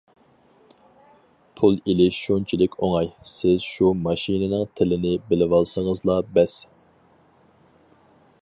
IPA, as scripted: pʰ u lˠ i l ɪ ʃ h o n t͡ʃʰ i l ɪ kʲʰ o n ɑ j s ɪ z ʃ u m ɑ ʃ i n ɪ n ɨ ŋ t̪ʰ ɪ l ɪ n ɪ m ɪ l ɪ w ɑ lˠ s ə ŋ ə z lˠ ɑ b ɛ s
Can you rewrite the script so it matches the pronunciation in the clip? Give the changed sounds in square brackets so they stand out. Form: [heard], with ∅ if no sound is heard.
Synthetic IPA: pʰ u lˠ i l ɪ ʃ [ʃ] o n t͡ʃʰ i l ɪ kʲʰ o [ŋ] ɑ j s ɪ z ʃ u m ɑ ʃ i n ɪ n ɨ ŋ t̪ʰ ɪ l ɪ n ɪ [b] ɪ l ɪ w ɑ lˠ s ə ŋ ə z lˠ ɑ b ɛ s